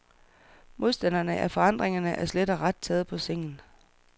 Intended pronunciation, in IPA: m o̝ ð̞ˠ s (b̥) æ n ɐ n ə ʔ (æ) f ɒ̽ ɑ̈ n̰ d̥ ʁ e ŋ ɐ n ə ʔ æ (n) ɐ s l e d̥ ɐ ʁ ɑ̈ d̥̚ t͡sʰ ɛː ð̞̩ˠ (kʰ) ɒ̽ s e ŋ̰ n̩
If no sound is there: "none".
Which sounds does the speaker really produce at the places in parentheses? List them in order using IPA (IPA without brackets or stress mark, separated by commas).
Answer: d̥, æ, none, pʰ